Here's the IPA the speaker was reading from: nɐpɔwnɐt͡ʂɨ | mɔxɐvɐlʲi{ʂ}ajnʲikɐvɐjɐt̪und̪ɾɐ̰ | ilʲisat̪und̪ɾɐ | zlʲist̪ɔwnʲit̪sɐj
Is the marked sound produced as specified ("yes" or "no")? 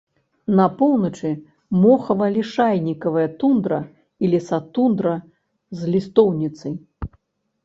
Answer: yes